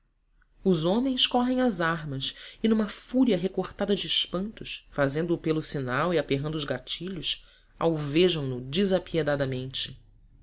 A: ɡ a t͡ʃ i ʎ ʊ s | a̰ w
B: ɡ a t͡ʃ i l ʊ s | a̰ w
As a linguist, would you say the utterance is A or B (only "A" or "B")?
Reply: A